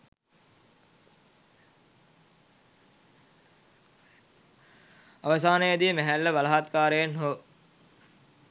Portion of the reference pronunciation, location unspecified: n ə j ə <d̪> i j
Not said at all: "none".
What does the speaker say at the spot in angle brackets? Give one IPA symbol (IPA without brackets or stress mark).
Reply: d̪